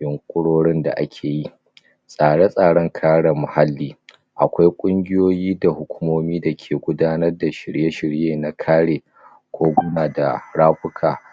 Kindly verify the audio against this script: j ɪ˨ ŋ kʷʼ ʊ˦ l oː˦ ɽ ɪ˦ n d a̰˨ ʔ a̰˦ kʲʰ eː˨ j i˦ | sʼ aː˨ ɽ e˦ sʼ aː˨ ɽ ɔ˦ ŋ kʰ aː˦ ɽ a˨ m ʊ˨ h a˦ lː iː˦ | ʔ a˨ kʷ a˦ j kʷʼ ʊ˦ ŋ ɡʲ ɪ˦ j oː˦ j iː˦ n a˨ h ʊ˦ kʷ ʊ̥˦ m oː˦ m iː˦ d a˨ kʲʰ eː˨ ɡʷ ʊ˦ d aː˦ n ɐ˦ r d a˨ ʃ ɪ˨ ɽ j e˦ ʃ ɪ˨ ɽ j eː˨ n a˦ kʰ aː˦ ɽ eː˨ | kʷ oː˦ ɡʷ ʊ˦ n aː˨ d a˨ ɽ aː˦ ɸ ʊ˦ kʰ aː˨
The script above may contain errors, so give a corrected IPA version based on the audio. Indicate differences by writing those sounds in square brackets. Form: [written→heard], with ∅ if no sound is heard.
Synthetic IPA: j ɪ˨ ŋ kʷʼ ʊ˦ [l→ɽ] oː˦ ɽ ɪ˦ n d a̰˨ ʔ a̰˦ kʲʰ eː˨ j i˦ | sʼ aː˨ ɽ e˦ sʼ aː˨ ɽ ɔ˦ ŋ kʰ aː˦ ɽ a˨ m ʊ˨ h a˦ lː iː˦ | ʔ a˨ kʷ a˦ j kʷʼ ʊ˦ ŋ ɡʲ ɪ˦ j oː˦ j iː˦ [n→d] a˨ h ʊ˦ kʷ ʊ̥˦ m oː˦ m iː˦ d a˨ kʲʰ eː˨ ɡʷ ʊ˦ d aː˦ n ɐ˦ r d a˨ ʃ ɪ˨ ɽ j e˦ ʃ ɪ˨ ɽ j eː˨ n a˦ kʰ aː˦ ɽ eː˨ | kʷ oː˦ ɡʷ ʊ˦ n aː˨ d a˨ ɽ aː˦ ɸ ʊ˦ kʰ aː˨